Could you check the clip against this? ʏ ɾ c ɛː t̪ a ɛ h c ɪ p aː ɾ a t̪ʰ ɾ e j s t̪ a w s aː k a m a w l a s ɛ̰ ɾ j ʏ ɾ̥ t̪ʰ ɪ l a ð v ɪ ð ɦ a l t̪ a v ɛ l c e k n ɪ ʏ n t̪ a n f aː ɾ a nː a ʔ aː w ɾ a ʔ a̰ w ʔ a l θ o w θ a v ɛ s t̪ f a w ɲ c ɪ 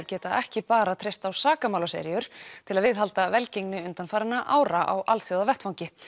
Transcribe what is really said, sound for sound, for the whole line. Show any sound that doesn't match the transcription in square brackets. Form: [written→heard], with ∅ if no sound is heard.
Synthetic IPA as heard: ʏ ɾ c ɛː t̪ a ɛ h c ɪ p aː ɾ a t̪ʰ ɾ e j s t̪ a w s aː k a m a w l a s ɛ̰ ɾ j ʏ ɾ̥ t̪ʰ ɪ l a ð v ɪ ð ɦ a l t̪ a v ɛ l c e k n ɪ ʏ n t̪ a n f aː ɾ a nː a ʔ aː w ɾ a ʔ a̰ w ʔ a l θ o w [θ→ð] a v ɛ [s→h] t̪ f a w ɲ c ɪ